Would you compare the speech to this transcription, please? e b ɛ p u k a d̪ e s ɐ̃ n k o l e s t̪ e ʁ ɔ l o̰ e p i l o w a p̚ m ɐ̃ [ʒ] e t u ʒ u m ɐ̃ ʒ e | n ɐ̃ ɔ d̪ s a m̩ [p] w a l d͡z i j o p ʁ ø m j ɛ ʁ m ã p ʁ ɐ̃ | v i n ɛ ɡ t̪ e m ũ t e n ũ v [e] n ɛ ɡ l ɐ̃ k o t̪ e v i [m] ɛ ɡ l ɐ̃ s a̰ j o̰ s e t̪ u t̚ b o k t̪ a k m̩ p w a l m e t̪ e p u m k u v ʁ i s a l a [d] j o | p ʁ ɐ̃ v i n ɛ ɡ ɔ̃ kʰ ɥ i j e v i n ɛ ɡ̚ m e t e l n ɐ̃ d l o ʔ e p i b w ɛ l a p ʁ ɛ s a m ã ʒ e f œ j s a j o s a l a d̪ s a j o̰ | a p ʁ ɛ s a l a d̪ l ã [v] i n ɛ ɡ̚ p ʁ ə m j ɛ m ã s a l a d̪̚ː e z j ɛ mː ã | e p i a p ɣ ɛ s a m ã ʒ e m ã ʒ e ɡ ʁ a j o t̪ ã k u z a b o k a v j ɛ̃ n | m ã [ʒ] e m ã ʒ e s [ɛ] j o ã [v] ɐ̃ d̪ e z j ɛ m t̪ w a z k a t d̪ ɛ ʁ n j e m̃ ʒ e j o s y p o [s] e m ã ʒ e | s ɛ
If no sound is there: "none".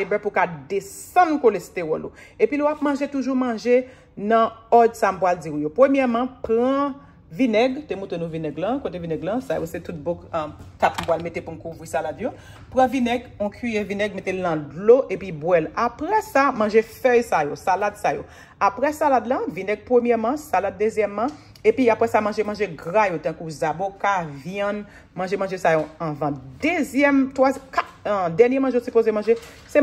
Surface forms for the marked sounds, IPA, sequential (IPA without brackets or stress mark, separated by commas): ʒ, p, i, n, d, v, ʒ, a, v, z